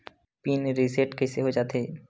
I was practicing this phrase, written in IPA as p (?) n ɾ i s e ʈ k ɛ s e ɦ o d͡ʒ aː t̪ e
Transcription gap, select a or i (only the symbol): i